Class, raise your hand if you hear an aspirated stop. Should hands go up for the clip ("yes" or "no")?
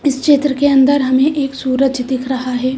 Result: yes